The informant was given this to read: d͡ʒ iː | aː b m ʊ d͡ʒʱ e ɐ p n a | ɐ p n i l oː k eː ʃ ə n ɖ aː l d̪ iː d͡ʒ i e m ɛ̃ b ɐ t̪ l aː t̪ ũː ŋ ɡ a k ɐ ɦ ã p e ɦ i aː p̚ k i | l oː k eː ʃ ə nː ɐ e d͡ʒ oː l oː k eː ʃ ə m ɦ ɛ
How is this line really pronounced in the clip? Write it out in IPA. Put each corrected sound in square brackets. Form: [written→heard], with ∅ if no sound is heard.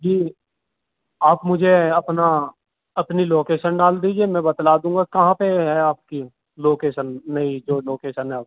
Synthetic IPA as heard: d͡ʒ iː | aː [b→p] m ʊ d͡ʒʱ e ɐ p n a | ɐ p n i l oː k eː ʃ ə n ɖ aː l d̪ iː d͡ʒ i e m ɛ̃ b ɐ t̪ l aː [t̪→d̪] ũː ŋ ɡ a k ɐ ɦ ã p e ɦ [i→ɛ] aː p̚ k i | l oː k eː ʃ ə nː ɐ [e→i] d͡ʒ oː l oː k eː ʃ ə [m→n] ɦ ɛ